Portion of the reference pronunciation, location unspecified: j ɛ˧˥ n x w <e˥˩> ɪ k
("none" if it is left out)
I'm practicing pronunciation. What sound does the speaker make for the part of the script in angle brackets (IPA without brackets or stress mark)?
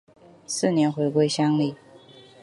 e˧˥